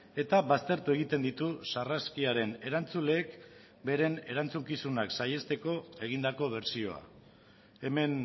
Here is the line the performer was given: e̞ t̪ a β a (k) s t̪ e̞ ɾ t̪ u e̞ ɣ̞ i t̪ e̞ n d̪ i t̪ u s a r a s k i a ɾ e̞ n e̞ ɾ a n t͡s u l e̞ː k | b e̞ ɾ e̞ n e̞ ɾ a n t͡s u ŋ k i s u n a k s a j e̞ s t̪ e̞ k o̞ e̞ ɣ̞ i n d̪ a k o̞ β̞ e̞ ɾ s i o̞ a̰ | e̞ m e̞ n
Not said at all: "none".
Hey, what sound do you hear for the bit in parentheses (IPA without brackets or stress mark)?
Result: none